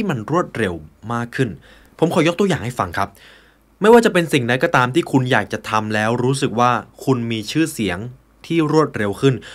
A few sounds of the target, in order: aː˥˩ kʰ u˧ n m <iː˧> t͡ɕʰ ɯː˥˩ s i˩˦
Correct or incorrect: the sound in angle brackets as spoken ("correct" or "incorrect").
correct